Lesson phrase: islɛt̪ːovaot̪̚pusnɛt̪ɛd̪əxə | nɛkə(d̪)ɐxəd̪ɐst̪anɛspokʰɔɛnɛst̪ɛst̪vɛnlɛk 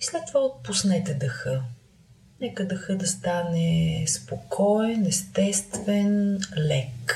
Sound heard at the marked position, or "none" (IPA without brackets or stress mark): d̪